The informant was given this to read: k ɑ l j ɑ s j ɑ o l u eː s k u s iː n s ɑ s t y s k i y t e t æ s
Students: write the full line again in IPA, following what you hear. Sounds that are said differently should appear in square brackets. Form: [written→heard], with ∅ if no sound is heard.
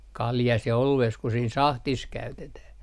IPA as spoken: k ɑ l j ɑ s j ɑ o l u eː s k u s iː n s ɑ [s→h] t [y→i] s k [i→æ] y t e t æ [s→h]